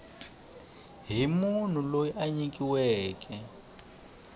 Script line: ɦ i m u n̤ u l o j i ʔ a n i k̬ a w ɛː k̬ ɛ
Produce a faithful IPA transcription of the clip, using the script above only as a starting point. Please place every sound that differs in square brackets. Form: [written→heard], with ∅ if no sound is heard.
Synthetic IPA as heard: ɦ i m u n̤ u l o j i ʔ a [n→ɲ] i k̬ [a→i] w ɛː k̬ ɛ